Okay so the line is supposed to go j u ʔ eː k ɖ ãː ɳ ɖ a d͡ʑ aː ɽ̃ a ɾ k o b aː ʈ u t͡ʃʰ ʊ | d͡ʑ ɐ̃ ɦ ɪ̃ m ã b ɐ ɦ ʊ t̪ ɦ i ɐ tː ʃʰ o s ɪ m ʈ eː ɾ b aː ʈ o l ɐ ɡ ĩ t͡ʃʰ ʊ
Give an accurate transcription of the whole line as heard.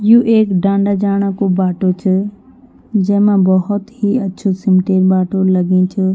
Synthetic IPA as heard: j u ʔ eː k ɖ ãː ɳ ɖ a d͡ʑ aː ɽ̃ a k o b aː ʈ o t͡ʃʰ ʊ | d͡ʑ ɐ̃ ɦ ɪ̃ m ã b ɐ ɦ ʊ t̪ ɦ i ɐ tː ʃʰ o s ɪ m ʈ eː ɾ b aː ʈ o l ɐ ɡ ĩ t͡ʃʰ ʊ